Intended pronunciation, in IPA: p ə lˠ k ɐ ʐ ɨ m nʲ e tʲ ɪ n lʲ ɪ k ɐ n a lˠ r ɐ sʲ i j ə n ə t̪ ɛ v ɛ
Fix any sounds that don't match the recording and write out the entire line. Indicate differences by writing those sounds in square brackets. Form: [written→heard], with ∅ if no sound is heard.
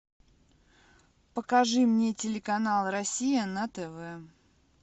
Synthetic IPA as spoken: p ə [lˠ→∅] k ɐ ʐ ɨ m nʲ e tʲ ɪ [n→∅] lʲ ɪ k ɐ n a lˠ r ɐ sʲ i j ə n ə t̪ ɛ v ɛ